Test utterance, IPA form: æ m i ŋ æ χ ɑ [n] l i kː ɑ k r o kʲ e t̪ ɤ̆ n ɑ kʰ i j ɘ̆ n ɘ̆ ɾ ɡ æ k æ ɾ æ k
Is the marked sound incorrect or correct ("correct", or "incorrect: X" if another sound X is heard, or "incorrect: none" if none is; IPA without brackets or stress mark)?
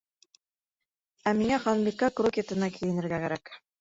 correct